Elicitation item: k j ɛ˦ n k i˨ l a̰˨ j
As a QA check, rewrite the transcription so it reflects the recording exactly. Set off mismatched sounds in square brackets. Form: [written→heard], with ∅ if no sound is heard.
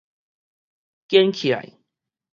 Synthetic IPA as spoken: k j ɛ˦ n [k→kʰ] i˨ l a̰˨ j